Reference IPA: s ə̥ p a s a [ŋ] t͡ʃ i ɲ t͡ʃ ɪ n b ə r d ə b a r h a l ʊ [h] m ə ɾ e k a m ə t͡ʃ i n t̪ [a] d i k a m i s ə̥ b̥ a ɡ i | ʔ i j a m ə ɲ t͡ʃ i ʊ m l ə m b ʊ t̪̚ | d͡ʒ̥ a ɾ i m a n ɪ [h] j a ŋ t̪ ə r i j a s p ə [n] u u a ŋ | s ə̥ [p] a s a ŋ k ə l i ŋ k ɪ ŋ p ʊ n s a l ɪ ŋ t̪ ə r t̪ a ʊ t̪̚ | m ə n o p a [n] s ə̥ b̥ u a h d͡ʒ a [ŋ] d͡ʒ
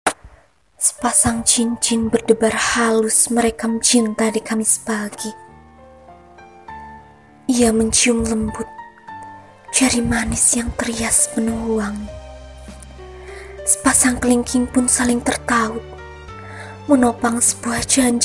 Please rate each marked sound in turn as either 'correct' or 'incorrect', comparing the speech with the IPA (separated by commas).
correct, incorrect, correct, incorrect, correct, correct, incorrect, incorrect